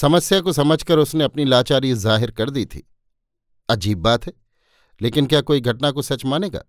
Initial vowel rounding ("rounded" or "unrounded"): unrounded